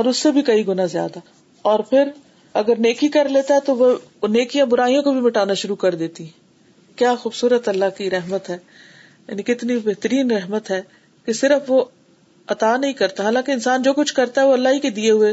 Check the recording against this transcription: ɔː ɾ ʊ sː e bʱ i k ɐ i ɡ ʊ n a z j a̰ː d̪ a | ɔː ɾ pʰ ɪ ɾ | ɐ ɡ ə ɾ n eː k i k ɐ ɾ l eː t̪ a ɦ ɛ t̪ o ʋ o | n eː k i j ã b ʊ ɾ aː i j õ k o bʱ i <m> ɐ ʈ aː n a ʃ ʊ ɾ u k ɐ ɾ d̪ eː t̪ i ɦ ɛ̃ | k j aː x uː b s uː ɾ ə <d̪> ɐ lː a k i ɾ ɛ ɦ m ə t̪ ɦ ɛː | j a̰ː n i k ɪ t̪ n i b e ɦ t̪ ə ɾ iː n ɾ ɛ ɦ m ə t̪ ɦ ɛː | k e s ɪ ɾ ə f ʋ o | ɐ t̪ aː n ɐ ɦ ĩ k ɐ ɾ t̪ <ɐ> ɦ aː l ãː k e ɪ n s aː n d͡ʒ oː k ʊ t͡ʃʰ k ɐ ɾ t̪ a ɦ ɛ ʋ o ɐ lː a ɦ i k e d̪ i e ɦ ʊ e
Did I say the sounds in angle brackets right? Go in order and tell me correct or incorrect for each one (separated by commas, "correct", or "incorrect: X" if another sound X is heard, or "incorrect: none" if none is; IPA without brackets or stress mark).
correct, incorrect: t̪, incorrect: a